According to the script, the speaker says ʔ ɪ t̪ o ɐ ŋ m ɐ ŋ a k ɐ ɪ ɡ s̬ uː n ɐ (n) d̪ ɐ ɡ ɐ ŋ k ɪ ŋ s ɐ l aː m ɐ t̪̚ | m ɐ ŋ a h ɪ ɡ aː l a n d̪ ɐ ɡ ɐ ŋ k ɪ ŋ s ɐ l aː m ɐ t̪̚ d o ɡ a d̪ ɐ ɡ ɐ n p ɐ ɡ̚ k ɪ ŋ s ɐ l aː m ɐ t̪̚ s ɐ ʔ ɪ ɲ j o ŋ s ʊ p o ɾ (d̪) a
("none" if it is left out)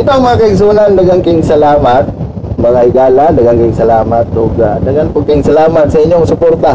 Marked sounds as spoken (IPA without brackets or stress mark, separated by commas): n, t̪